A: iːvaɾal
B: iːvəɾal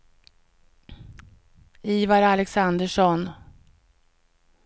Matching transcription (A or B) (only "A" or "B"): A